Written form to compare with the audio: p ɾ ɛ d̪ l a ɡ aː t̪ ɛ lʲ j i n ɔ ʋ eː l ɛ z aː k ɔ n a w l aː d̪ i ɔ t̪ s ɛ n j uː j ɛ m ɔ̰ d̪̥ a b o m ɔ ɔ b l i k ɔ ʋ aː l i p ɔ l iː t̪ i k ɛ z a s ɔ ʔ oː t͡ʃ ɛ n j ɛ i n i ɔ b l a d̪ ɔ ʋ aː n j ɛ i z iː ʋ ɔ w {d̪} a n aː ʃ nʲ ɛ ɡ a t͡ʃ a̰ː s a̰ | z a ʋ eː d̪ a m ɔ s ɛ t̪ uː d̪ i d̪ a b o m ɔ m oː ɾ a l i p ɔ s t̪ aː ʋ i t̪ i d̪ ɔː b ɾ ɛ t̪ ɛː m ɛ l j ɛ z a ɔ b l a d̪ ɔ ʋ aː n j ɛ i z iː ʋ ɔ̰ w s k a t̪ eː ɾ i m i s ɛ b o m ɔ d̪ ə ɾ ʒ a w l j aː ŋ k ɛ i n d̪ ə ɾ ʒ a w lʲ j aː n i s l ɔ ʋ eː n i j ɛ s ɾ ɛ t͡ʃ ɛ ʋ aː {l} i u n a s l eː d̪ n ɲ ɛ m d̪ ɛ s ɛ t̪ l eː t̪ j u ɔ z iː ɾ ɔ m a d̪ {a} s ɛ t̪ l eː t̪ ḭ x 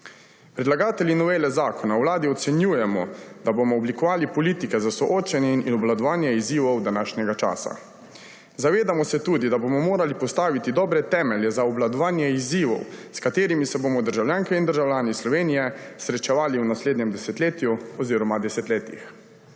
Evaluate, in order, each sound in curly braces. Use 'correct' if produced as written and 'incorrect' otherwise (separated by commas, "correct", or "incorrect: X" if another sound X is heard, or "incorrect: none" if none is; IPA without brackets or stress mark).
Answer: correct, correct, incorrect: ɛ